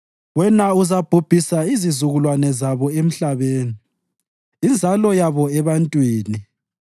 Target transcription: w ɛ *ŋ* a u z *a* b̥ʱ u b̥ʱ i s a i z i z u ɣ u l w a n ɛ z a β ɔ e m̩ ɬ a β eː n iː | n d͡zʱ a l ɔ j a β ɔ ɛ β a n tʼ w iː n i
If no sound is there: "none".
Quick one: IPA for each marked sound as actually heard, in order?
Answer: n, a

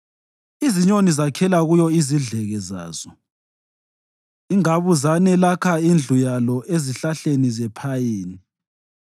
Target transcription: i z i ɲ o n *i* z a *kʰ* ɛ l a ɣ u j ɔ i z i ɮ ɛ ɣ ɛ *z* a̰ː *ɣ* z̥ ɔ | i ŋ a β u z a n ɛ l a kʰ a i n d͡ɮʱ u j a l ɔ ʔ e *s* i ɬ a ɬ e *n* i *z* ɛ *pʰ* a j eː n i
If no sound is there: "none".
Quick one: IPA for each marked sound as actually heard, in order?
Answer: i, kʰ, z, none, z, n, z, pʰ

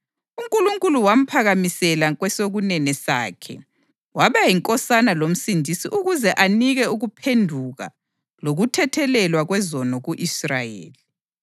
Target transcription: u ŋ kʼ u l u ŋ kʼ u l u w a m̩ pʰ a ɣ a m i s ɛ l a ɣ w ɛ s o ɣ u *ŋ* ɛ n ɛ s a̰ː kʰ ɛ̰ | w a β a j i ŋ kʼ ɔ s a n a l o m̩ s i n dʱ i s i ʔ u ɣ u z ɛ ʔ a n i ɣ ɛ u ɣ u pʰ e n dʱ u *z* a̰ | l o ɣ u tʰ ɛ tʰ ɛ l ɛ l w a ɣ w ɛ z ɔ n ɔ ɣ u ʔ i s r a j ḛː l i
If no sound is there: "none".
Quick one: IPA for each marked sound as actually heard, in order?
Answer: n, ɣ

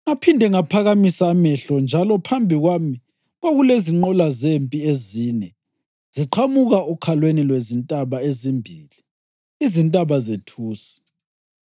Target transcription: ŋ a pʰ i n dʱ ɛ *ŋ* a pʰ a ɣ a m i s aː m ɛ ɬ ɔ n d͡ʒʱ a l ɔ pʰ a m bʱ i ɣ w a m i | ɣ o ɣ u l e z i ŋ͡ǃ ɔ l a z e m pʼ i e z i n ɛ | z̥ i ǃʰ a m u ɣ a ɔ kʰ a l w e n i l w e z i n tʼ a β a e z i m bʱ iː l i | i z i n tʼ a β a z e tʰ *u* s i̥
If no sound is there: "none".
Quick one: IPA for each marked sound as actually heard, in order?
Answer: ŋ, uː

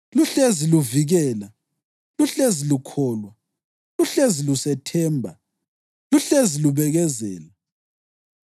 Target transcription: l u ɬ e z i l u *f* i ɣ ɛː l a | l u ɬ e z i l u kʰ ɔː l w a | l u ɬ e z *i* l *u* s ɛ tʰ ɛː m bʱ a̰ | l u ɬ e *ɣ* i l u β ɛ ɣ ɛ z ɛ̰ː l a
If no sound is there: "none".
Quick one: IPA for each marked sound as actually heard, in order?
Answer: v, i, u, z

